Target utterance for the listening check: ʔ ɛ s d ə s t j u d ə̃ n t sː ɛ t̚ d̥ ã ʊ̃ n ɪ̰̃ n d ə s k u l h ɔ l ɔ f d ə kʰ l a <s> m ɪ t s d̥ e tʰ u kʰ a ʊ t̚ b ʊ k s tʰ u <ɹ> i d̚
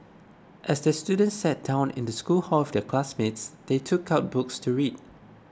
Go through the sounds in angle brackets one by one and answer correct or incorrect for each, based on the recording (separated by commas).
correct, correct